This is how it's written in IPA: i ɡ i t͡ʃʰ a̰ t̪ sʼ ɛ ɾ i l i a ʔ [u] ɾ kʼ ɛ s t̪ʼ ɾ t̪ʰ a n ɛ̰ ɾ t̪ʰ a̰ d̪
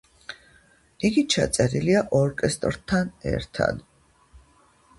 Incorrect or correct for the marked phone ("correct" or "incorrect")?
incorrect